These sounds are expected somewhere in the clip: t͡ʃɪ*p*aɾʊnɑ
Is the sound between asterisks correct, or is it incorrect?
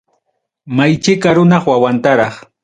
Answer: incorrect